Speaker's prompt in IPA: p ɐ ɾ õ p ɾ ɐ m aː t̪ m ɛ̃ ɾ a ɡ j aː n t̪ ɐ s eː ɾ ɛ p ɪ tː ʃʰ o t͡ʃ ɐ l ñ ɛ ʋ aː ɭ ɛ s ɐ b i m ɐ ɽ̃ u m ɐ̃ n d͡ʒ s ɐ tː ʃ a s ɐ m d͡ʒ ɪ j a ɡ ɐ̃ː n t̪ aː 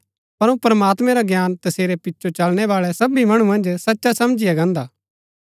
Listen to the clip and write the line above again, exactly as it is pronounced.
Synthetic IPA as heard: p ɐ ɾ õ p ɾ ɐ m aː t̪ m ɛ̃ ɾ a ɡ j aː n t̪ ɐ s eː ɾ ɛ p ɪ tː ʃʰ o t͡ʃ ɐ l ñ ɛ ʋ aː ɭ ɛ s ɐ b i m ɐ ɽ̃ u m ɐ̃ n d͡ʒ s ɐ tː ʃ a s ɐ m d͡ʒ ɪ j a ɡ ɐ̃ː n d̪ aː